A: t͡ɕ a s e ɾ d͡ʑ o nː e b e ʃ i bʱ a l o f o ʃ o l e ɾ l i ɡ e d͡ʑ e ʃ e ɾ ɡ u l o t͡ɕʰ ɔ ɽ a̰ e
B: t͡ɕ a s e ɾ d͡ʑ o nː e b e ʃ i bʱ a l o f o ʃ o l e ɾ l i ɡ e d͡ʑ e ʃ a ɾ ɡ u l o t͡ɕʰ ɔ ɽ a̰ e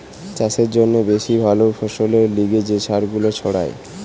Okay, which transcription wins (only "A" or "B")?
B